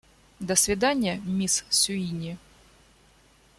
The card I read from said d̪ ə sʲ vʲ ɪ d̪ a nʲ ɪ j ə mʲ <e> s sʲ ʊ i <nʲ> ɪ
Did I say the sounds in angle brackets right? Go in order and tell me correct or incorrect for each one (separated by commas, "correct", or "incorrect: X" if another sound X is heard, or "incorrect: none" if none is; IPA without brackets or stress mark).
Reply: incorrect: i, correct